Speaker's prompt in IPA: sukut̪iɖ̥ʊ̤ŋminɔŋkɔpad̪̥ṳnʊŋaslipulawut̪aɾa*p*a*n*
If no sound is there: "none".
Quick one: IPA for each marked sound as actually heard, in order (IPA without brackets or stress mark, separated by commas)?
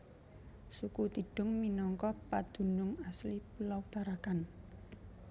k, n